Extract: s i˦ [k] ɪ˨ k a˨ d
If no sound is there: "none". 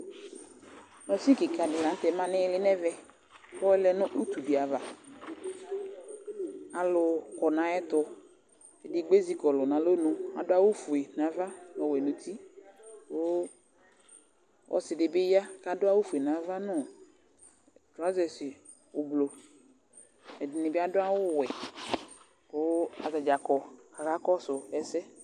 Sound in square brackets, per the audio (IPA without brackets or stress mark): k